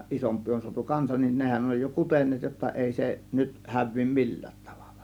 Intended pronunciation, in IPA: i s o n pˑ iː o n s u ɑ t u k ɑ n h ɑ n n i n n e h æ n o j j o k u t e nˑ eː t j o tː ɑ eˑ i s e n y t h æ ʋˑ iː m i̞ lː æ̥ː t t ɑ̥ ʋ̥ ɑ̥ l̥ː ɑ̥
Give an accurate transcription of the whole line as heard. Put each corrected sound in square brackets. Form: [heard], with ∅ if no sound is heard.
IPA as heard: i s o [m] pˑ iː o n s u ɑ t u k ɑ n [s] ɑ n n i n n e h æ n o j j o k u t e nˑ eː t j o tː ɑ eˑ i s e n y t h æ ʋˑ iː m i̞ lː æ̥ː t t ɑ̥ ʋ̥ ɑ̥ l̥ː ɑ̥

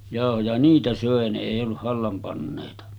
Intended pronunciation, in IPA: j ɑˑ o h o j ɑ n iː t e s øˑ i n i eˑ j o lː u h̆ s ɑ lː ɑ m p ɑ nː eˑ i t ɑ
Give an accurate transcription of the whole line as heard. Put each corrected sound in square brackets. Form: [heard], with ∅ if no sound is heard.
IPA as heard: j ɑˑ o h o j ɑ n iː t [æ] s øˑ [e] n [e] eˑ [i] o lː u h̆ [h] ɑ lː ɑ m p ɑ nː eˑ i t ɑ

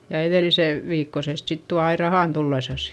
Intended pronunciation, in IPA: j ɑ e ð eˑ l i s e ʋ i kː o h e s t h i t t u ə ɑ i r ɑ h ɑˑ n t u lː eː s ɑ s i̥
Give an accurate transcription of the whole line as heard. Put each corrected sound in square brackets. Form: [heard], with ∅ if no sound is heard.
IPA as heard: j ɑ e ð eˑ l i s e ʋ [iː] kː o [s] e s t [s] i t t u [ɑ] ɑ i r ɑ h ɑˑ n t u lː [e] s ɑ s i̥

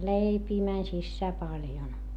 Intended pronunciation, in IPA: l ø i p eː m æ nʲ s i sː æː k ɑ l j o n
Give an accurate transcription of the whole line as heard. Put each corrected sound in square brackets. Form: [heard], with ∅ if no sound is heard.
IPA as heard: l [e] i p [iː] m æ nʲ s i sː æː [p] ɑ l j o n

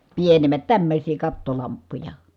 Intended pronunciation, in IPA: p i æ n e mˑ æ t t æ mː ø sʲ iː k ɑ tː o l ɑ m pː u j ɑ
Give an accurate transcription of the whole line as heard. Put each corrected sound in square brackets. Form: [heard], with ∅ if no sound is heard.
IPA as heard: p i [e] n e mˑ æ t t æ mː ø sʲ iː k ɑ tː o l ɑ m pː u j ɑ

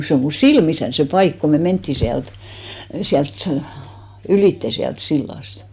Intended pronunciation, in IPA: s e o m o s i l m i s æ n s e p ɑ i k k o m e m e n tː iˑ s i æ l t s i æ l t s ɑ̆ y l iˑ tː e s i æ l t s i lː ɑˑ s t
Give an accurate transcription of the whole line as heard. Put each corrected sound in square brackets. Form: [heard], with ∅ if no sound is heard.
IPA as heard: s e o m [u] s i l m i s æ n s e p ɑ i k k o m e m e n tː iˑ s i æ l t s i æ l t s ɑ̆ y l iˑ tː e s i æ l t s i lː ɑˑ s t

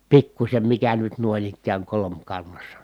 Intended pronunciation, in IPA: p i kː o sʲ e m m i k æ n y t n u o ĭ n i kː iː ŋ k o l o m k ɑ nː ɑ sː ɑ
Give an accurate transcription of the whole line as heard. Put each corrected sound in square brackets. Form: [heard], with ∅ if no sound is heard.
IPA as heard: p i kː [u] sʲ e m m i k æ n y t n u o ĭ n i kː [æː] ŋ k o l o m k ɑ nː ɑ sː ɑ

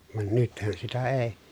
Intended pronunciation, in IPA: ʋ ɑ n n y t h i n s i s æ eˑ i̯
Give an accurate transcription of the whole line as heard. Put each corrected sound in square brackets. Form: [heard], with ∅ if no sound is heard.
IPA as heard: ʋ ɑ n n y t h [æ] n s i [t] æ eˑ i̯

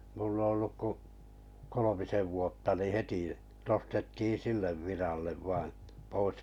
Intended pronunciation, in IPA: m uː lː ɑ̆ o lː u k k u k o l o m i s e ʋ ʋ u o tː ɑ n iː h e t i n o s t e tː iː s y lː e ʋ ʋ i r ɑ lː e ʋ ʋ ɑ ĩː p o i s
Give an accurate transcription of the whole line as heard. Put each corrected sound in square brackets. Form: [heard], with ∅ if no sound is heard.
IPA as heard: m [u] lː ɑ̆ o lː u k k u k o l o m i s e ʋ ʋ u o tː ɑ n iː h e t i n o s t e tː iː s [i] lː e ʋ ʋ i r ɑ lː e ʋ ʋ ɑ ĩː p o i s

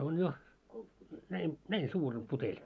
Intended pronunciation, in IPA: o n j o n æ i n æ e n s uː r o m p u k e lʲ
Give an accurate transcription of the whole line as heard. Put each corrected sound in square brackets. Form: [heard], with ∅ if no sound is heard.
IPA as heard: o n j o n æ i n æ [i] n s uː r o m p u [t] e lʲ

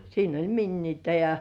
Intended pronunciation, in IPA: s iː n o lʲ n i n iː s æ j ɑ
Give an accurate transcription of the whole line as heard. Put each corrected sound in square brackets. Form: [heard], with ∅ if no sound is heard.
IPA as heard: s iː n o lʲ [m] i [nː] iː [t] æ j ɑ

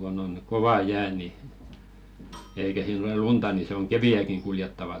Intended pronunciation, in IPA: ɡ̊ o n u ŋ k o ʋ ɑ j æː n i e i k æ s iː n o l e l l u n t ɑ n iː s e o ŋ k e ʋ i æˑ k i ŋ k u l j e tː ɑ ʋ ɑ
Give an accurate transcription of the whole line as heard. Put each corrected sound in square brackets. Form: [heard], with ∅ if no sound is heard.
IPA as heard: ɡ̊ o n [o] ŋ k o ʋ ɑ j æː n i e i k æ s iː n o l e l l u n t ɑ n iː s e o ŋ k e ʋ i æˑ k i ŋ k u l j e tː ɑ ʋ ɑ

